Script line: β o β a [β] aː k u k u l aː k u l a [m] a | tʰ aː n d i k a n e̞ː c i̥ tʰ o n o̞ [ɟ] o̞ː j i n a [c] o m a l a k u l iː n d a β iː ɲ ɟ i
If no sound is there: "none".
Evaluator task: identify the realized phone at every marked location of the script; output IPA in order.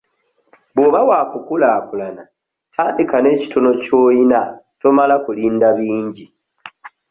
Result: w, n, c, t

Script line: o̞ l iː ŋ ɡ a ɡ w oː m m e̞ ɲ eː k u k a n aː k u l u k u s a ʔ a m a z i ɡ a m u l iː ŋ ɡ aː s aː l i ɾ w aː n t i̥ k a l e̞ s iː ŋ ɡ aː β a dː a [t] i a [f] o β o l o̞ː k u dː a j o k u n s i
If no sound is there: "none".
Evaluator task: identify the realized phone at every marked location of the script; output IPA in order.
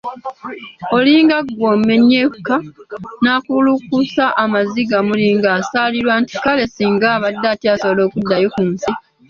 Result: t, s

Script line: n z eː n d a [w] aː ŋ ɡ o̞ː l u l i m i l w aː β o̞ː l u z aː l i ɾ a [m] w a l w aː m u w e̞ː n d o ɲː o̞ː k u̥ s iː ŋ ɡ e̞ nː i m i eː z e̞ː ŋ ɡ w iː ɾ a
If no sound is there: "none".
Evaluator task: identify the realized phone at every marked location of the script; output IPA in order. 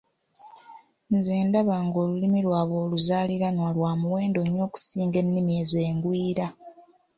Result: β, n

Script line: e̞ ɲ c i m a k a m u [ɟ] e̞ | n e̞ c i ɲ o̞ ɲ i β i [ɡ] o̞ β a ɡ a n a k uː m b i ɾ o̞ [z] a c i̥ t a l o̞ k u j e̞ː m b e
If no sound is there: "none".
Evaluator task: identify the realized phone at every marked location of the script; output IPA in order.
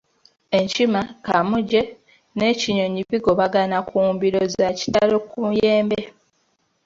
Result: ɟ, ɡ, z

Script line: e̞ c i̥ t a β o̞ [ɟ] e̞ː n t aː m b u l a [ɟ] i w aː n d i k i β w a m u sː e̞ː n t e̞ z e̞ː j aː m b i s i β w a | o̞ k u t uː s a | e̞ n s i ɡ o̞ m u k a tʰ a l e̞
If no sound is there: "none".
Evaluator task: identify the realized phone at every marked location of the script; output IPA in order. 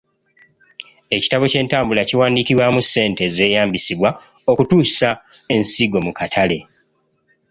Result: c, c

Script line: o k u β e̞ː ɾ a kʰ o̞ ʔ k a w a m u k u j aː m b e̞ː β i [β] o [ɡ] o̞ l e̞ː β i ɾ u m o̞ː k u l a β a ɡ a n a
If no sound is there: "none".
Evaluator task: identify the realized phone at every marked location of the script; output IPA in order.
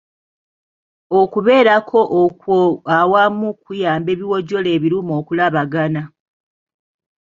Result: w, ɟ

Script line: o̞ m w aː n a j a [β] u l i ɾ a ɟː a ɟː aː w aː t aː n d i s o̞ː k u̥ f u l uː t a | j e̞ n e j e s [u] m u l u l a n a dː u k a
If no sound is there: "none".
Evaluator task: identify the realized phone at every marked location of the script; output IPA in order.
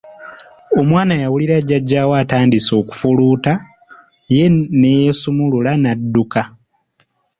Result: w, u

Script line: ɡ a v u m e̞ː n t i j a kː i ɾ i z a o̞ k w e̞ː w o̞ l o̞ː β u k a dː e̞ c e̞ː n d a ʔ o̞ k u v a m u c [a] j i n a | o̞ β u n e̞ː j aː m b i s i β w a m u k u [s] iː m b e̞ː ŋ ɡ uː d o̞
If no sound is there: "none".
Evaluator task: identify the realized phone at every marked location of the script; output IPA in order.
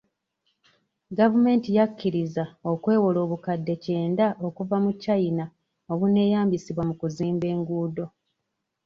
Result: a, z

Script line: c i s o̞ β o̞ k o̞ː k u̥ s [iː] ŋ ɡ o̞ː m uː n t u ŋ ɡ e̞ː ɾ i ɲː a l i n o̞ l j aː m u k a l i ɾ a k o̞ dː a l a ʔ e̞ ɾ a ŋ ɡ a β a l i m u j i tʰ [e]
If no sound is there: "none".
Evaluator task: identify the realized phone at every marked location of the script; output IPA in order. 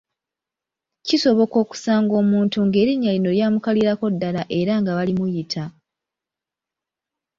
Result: aː, a

